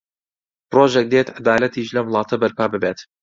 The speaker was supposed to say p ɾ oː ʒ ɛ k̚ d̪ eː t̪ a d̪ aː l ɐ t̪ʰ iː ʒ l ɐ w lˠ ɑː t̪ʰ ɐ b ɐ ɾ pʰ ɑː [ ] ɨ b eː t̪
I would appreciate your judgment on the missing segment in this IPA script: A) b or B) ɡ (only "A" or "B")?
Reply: A